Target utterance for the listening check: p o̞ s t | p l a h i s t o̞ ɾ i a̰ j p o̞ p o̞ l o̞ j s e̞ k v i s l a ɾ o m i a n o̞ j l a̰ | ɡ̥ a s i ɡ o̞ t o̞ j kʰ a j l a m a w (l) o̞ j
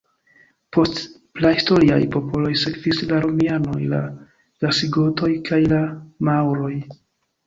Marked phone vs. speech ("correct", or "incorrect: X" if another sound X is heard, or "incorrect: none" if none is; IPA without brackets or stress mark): incorrect: ɾ